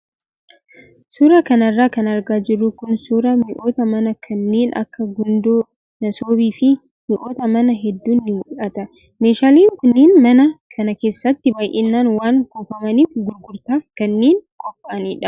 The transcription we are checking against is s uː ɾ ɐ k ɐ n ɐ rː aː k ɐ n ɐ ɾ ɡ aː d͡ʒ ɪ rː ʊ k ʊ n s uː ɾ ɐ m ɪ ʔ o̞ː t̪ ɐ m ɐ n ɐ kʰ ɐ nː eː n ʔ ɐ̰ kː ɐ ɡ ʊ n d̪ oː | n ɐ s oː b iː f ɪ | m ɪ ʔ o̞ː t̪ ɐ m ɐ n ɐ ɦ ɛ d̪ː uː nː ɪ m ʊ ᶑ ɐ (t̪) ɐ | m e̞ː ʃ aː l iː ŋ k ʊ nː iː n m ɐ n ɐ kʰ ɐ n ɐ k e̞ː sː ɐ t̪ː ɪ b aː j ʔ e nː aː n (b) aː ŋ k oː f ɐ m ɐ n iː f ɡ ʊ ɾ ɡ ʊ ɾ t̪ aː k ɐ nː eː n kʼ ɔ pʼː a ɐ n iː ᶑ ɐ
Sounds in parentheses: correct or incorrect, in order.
correct, incorrect

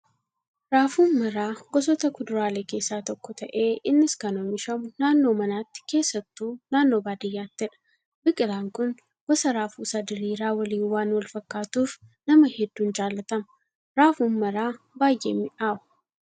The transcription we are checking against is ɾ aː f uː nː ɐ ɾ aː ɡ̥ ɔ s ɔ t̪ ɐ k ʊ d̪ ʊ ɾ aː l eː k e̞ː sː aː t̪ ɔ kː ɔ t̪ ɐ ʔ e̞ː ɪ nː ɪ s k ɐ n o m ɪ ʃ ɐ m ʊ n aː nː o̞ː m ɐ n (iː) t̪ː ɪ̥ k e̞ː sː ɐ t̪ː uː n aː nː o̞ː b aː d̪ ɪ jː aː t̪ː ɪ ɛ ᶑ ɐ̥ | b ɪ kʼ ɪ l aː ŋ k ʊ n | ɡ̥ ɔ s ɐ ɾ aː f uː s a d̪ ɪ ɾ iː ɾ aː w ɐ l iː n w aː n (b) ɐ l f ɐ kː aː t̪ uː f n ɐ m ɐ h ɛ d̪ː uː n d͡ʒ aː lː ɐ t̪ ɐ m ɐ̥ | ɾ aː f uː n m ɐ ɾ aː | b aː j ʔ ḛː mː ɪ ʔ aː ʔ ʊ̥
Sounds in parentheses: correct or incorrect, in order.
incorrect, incorrect

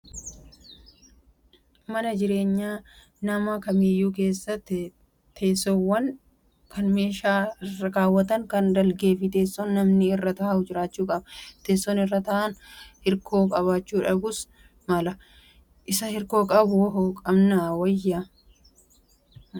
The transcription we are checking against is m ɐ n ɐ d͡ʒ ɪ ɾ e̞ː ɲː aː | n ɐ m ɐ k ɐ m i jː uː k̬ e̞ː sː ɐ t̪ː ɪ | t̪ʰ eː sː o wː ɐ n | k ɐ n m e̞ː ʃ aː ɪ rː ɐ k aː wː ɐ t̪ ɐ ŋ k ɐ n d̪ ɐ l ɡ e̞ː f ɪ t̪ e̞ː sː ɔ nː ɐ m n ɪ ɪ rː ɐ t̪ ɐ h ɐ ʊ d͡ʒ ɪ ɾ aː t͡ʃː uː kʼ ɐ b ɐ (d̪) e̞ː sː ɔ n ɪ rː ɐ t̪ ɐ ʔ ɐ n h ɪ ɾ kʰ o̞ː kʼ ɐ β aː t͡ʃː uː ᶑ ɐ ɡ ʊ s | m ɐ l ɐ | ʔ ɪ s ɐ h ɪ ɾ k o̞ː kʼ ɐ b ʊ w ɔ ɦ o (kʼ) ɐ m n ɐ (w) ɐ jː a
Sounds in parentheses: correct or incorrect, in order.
incorrect, correct, correct

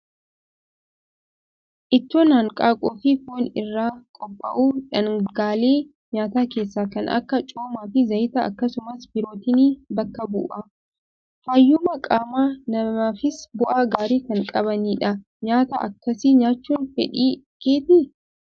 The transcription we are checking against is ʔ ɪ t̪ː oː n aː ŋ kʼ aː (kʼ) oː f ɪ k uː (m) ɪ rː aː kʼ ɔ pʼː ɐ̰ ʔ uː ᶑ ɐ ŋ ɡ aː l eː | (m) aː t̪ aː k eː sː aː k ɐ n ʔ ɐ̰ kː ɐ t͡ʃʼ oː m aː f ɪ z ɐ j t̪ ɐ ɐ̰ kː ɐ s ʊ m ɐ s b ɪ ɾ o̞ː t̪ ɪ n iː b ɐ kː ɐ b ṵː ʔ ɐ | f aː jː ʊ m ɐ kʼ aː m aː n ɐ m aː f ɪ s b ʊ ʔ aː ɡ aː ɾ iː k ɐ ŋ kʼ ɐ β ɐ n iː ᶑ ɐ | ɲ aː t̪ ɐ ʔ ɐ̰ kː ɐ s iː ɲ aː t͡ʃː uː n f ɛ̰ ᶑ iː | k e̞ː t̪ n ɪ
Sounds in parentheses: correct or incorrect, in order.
correct, incorrect, incorrect

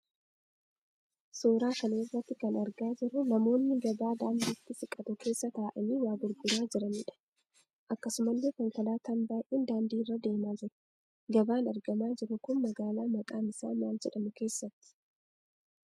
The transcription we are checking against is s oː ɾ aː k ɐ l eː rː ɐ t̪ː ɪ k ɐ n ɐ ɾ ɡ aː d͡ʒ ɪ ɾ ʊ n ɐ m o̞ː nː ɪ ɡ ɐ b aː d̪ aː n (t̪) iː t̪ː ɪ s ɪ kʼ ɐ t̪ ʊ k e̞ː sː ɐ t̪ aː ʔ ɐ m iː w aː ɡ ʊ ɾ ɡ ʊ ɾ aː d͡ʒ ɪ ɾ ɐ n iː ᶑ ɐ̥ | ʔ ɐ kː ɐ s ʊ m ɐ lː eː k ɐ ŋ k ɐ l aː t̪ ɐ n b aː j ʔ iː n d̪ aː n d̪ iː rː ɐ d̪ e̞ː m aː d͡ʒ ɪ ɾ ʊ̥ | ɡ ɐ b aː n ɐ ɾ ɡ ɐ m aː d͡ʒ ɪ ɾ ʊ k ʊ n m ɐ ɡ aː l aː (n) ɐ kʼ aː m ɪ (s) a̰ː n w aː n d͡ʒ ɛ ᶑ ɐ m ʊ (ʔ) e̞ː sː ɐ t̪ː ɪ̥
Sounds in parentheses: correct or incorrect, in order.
incorrect, incorrect, correct, incorrect

